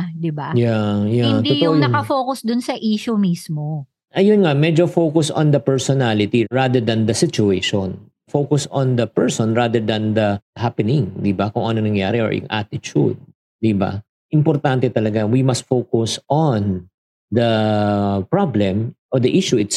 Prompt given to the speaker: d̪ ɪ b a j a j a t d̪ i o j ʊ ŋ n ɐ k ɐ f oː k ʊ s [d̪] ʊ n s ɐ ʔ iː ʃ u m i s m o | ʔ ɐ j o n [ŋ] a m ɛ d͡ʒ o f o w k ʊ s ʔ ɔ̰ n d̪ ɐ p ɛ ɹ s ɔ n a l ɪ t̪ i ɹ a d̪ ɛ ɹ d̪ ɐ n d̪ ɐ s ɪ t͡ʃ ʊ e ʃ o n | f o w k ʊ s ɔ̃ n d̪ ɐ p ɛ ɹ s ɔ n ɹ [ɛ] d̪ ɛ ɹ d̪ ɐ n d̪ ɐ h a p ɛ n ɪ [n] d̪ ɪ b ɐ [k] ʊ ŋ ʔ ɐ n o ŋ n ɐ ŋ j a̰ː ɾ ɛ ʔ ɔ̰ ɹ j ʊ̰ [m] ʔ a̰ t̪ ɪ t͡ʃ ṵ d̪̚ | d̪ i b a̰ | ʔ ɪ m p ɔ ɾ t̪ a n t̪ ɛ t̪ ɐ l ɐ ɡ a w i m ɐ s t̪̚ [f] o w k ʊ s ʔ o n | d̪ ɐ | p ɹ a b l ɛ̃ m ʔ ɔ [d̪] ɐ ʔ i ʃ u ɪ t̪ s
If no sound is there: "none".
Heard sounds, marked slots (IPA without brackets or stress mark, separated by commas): d̪, ŋ, a, ŋ, k, ŋ, f, d̪